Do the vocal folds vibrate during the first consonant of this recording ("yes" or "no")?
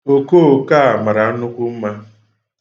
no